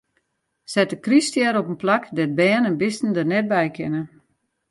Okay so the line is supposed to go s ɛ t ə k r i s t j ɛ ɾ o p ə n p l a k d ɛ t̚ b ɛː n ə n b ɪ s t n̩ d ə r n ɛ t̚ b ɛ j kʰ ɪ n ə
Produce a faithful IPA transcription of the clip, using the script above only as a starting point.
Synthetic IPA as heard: s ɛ t ə k r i s t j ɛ ɾ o p ə n p l a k d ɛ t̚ b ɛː n ə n b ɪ s t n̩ d ə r n ɛ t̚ b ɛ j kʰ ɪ n ə